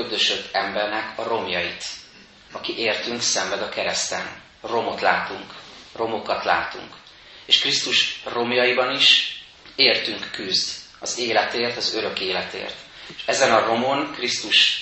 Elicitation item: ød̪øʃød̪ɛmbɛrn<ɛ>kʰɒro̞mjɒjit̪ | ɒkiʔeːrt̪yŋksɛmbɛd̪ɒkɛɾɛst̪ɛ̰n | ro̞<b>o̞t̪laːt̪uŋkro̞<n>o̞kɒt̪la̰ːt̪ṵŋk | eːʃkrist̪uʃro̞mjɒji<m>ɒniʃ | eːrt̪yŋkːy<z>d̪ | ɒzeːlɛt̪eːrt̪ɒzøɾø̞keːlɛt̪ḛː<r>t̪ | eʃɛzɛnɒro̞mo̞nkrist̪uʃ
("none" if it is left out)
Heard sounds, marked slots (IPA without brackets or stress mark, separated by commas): ɛ, m, m, b, z, r